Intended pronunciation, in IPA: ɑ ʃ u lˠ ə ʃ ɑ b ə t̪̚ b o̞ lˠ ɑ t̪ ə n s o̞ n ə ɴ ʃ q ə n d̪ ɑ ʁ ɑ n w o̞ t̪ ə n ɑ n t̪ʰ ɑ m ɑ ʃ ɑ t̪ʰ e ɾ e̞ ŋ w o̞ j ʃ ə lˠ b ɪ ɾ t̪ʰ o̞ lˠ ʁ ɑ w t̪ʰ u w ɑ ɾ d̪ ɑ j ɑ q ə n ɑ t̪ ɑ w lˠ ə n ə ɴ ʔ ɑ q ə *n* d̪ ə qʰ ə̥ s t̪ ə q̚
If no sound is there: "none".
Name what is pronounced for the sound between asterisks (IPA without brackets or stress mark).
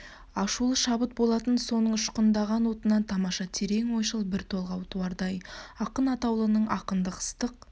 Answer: n